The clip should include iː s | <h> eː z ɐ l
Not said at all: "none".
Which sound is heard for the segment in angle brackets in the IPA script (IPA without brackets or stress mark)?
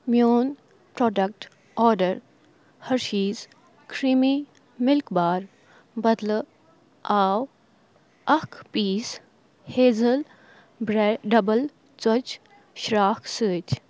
h